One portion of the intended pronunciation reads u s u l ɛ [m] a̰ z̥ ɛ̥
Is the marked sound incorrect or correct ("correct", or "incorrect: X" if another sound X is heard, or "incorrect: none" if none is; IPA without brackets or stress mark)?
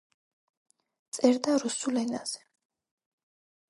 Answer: incorrect: n